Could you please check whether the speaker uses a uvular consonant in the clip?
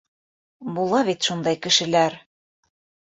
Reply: no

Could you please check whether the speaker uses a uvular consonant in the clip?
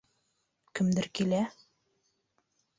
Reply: no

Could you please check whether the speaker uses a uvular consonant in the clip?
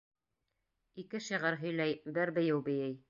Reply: yes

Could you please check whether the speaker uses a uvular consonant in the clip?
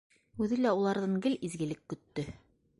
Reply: no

